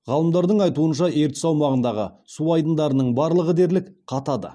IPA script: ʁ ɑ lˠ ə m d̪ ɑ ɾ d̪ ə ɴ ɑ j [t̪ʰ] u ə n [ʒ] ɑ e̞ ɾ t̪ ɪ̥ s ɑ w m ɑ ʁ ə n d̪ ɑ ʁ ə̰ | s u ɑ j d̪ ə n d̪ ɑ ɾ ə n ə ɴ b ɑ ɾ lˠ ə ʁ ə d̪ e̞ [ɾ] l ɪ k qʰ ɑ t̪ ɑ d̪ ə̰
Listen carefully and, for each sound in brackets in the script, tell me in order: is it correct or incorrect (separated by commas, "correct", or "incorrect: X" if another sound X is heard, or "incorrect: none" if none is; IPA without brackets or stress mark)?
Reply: incorrect: t̪, incorrect: ʃ, correct